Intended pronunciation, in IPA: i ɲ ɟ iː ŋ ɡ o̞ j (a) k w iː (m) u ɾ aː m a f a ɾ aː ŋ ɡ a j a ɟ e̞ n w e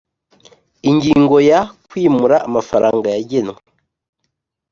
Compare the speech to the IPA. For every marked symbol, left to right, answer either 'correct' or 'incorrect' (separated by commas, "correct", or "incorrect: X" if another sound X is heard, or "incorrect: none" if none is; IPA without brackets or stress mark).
correct, correct